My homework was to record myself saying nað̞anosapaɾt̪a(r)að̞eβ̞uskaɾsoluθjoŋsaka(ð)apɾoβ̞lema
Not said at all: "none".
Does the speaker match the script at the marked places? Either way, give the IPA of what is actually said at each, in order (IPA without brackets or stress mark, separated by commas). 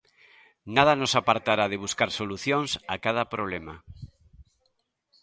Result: ɾ, ð